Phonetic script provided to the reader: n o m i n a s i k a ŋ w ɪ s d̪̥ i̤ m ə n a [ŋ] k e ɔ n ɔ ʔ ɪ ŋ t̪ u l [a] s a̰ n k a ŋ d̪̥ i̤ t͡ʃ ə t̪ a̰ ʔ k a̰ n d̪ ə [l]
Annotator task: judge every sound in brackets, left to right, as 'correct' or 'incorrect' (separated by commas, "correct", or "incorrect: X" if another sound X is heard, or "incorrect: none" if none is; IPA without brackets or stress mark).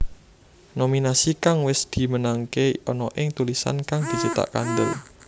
correct, incorrect: i, correct